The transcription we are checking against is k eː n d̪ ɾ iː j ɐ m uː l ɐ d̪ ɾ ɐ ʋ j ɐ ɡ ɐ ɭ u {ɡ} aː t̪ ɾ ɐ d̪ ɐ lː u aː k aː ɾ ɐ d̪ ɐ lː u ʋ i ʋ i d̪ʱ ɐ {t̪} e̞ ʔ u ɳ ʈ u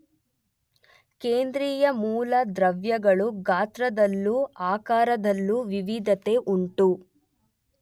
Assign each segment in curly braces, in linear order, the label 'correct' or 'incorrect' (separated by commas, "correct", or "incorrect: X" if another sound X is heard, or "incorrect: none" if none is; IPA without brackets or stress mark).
correct, correct